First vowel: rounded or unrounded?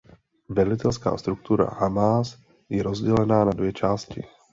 unrounded